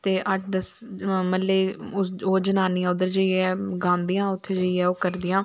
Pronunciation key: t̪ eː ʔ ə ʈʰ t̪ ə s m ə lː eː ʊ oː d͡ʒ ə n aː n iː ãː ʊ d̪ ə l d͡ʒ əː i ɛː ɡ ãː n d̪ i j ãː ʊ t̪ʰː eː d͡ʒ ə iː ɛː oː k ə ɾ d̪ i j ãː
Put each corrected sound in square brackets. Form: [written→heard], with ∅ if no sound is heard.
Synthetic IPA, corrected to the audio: t̪ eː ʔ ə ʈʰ [t̪→d̪] ə s m ə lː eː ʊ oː d͡ʒ ə n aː n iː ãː ʊ d̪ ə [l→ɾ] d͡ʒ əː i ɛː ɡ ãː n d̪ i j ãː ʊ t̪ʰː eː d͡ʒ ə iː ɛː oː k ə ɾ d̪ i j ãː

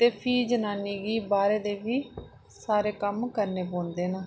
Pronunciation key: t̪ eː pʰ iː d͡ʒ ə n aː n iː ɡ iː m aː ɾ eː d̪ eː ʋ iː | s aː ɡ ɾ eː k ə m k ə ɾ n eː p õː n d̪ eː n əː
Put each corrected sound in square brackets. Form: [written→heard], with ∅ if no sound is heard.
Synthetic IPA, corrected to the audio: t̪ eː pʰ iː d͡ʒ ə n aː n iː ɡ iː [m→b] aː ɾ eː d̪ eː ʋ iː | s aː [ɡ→∅] ɾ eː k ə m k ə ɾ n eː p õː n d̪ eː n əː

